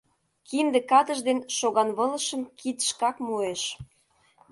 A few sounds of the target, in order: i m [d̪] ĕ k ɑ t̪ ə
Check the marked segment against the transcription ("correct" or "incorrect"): correct